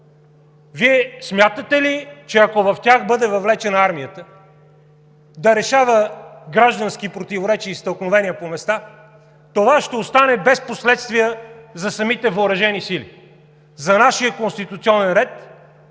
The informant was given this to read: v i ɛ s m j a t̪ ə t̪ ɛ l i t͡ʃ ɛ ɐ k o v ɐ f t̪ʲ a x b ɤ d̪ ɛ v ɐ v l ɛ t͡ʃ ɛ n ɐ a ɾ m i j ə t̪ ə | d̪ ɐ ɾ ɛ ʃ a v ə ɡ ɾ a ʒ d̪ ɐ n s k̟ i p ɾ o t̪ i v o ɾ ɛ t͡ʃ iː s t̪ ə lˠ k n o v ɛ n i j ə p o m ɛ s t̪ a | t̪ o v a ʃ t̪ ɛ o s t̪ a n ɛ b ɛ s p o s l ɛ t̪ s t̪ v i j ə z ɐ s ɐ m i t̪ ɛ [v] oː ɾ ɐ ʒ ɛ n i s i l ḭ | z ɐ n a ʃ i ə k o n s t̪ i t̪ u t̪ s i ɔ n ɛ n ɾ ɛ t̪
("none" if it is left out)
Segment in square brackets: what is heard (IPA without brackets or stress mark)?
v